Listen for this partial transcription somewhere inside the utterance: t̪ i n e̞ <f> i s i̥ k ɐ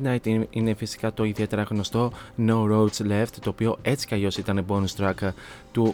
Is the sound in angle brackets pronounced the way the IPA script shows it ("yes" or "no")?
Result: yes